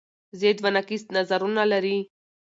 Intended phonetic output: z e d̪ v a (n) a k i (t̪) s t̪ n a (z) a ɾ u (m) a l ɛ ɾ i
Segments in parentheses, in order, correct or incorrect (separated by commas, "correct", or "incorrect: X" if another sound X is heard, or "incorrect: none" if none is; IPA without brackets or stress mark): correct, incorrect: none, correct, incorrect: n